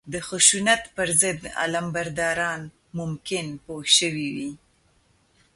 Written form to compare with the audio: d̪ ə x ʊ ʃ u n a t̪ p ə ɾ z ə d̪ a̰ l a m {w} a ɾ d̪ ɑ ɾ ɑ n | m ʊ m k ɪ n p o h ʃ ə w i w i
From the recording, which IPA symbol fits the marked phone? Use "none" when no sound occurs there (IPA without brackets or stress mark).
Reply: b